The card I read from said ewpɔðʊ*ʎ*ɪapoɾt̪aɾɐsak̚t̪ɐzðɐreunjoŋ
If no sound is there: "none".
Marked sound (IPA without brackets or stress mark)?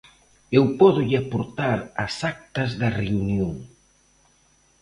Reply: ʎ